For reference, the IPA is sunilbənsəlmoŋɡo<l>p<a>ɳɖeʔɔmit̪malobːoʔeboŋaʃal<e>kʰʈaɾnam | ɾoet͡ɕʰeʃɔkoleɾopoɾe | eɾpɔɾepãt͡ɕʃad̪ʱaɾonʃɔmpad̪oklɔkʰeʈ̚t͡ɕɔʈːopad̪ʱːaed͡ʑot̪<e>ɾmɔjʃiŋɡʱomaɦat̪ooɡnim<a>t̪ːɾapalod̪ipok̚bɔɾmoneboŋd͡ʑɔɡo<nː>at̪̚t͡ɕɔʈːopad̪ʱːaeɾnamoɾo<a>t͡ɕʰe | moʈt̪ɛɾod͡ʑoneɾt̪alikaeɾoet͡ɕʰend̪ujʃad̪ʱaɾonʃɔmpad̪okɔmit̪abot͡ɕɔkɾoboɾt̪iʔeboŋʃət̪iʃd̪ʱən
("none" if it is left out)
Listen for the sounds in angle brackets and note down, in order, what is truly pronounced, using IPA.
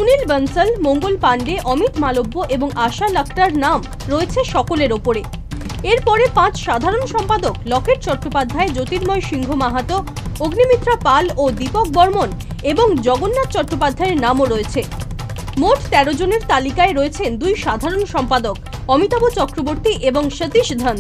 l, a, a, i, i, nː, e

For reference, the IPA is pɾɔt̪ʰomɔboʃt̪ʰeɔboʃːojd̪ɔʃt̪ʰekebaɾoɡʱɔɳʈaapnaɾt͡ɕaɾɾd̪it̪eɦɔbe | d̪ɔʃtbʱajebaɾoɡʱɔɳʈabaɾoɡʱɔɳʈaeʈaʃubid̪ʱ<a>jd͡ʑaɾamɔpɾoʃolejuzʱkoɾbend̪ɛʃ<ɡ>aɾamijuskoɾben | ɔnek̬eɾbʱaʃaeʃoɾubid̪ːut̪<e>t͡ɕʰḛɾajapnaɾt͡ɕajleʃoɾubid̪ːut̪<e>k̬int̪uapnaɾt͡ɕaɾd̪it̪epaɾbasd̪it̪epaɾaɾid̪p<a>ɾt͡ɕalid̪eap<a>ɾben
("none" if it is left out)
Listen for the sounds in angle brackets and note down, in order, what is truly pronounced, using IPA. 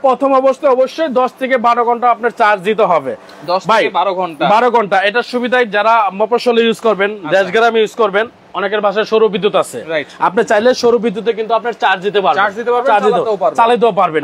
a, ɡ, a, e, a, a

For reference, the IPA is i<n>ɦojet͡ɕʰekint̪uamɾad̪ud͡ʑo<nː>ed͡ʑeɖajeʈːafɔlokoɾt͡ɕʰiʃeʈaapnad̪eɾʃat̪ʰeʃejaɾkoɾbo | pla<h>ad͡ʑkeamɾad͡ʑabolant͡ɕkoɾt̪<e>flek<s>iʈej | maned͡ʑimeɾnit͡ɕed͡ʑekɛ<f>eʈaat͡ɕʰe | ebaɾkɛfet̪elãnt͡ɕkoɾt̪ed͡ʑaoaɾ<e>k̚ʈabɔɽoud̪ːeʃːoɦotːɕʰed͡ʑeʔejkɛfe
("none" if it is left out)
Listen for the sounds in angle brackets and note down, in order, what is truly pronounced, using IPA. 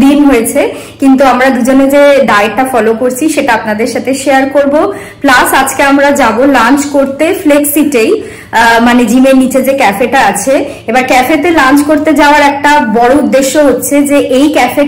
n, n, s, e, s, f, ɛ

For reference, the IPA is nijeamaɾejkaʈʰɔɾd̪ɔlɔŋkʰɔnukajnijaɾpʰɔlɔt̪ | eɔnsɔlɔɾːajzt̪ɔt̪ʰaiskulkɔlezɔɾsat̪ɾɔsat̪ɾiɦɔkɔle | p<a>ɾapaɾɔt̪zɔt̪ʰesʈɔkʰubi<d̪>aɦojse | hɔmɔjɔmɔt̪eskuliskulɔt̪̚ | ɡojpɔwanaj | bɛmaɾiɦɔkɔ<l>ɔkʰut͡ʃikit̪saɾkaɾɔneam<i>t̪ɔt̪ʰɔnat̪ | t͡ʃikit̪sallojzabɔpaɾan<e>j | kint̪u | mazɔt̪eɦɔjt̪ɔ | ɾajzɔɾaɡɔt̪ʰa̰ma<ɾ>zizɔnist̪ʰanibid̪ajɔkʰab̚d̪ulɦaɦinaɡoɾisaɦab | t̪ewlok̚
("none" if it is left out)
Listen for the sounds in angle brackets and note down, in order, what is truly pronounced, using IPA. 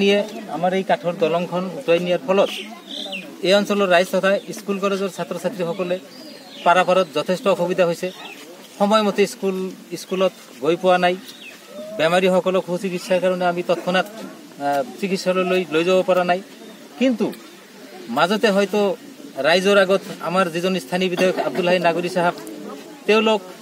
a, d̪, l, i, a, ɾ

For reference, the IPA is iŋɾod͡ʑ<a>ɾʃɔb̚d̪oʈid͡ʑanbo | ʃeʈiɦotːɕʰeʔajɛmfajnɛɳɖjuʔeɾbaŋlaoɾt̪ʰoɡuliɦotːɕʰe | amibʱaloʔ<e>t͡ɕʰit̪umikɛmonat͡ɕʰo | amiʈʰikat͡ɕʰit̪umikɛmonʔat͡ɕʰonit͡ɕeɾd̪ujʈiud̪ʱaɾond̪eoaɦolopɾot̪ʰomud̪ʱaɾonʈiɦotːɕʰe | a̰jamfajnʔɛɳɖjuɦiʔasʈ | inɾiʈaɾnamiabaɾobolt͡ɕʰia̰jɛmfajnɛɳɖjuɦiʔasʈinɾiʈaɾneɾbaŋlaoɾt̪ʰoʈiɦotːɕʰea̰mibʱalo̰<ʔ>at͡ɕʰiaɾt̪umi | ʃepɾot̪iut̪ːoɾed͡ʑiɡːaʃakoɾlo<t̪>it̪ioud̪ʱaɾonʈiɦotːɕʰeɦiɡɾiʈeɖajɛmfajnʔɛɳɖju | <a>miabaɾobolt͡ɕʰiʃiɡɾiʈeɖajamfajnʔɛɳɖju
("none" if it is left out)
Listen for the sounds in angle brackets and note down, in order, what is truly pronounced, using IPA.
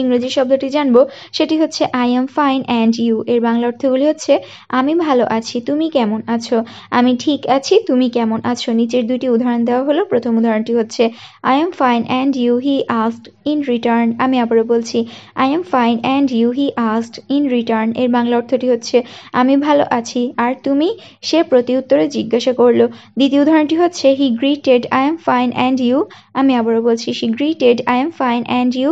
i, a, ʔ, d̪, a

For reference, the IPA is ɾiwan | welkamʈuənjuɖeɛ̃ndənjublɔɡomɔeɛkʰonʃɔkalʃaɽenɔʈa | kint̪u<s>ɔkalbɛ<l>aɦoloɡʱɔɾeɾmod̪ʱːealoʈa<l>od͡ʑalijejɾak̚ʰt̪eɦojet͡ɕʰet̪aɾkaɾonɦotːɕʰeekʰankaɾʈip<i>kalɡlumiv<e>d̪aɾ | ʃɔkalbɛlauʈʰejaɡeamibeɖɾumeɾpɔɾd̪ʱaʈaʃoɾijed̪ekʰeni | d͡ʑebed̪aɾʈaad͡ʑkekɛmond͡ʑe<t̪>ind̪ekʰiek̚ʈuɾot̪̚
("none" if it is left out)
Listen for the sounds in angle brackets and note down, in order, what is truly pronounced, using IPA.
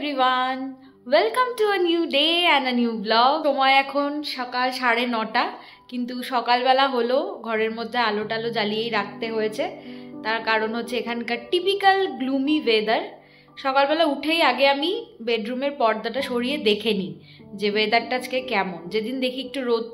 ʃ, l, l, i, e, d̪

